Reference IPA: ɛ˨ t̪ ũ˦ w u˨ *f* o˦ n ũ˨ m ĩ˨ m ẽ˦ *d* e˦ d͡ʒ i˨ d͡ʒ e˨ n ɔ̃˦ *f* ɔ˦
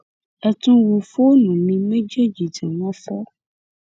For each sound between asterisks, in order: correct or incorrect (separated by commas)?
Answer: correct, incorrect, correct